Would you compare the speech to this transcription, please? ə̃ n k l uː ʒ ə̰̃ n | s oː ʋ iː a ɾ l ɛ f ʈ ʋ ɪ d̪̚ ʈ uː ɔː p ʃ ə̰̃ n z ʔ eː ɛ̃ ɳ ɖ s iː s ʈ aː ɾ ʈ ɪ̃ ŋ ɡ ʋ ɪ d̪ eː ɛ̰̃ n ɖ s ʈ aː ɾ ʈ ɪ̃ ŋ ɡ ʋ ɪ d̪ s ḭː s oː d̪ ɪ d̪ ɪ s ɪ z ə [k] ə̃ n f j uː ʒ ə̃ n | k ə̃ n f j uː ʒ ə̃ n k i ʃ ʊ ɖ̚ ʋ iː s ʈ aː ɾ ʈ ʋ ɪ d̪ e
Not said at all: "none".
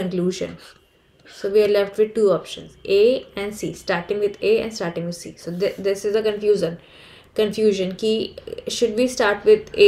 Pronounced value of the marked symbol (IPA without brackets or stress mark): k